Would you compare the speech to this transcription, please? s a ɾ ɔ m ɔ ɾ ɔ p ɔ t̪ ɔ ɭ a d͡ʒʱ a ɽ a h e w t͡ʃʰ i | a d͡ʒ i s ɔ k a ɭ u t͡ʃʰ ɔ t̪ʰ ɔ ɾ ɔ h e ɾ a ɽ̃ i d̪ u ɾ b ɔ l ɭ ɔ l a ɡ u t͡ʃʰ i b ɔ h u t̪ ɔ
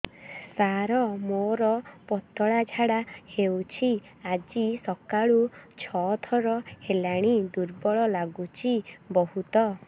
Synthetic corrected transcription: s a ɾ ɔ m o ɾ ɔ p ɔ t̪ ɔ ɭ a d͡ʒʱ a ɽ a h e w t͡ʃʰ i | a d͡ʒ i s ɔ k a ɭ u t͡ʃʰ ɔ t̪ʰ ɔ ɾ ɔ h e l a ɽ̃ i d̪ u ɾ b ɔ ɭ ɔ l a ɡ u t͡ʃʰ i b ɔ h u t̪ ɔ

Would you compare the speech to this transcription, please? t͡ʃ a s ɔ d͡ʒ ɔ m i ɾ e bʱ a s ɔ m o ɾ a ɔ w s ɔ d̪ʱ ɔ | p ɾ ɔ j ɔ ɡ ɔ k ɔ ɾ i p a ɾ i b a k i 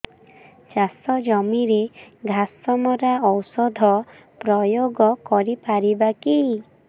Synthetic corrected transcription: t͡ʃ a s ɔ d͡ʒ ɔ m i ɾ e ɡʱ a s ɔ m ɔ ɾ a ɔ w s ɔ d̪ʱ ɔ | p ɾ ɔ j o ɡ ɔ k ɔ ɾ i p a ɾ i b a k i

